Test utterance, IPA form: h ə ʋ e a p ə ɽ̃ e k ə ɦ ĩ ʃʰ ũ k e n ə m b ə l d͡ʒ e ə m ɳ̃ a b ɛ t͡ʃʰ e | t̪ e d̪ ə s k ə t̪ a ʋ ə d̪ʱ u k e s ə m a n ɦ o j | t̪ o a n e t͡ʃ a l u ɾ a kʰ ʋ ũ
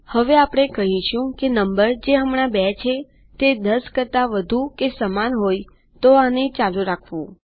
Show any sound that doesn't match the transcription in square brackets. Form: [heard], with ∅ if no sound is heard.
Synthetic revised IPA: h ə ʋ e a p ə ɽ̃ e k ə ɦ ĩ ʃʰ ũ k e n ə m b ə [ɾ] d͡ʒ e ə m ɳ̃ a b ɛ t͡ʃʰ e | t̪ e d̪ ə s k ə t̪ a ʋ ə d̪ʱ u k e s ə m a n ɦ o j | t̪ o a n e t͡ʃ a l u ɾ a kʰ ʋ ũ